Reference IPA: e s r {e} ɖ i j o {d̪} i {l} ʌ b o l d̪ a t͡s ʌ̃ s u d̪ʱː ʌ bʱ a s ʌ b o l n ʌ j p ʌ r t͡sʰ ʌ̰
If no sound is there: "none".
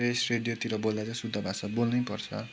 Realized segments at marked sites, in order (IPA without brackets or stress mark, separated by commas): e, t̪, ɾ